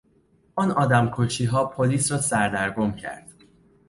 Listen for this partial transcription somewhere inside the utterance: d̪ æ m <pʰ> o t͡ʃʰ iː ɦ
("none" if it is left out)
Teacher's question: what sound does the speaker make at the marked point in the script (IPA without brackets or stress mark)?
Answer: kʰ